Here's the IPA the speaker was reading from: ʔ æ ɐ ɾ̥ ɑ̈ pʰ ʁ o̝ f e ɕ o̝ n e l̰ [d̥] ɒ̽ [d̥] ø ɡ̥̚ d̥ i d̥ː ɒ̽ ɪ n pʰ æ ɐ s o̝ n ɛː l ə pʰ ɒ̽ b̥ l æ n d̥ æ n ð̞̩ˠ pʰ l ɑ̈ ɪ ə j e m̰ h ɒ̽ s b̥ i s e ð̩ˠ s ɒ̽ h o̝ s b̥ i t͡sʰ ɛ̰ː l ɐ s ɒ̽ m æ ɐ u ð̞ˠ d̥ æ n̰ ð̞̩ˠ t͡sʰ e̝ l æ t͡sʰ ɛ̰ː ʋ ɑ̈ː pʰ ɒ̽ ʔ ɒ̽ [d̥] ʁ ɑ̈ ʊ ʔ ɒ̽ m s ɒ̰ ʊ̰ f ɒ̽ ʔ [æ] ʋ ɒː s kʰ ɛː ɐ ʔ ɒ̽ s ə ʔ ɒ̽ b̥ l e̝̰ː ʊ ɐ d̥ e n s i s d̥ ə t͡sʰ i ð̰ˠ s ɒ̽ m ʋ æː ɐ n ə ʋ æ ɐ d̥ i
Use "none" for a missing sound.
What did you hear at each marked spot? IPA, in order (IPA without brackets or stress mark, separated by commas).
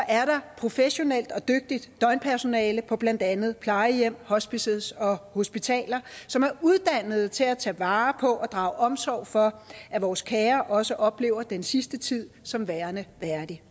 d̥, d̥, d̥, æ